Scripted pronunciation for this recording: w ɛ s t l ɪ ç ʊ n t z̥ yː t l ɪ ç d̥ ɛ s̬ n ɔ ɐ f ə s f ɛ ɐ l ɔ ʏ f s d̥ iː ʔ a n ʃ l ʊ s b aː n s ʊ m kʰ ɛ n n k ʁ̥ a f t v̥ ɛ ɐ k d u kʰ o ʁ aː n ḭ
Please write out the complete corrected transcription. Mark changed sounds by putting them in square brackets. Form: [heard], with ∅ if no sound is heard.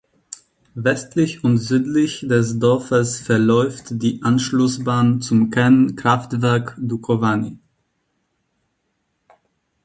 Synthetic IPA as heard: [v] ɛ s t l ɪ ç ʊ n t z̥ yː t l ɪ ç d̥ ɛ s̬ [d] ɔ ɐ f ə s f ɛ ɐ l ɔ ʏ f [t] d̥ iː ʔ a n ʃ l ʊ s b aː n [t͡s] ʊ m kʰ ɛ n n k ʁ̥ a f t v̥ ɛ ɐ k d u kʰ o [v] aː n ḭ